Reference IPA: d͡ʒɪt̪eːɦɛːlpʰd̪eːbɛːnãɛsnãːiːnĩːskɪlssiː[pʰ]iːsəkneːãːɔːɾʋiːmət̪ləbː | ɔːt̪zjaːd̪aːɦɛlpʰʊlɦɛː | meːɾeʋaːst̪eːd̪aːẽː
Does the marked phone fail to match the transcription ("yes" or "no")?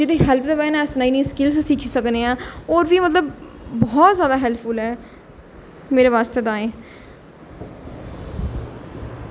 yes